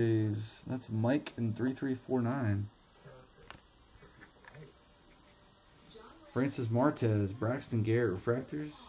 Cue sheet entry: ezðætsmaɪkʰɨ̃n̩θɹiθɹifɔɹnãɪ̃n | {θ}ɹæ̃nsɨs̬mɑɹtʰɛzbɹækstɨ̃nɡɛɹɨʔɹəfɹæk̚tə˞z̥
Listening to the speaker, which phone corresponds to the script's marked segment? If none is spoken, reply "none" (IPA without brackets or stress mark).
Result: f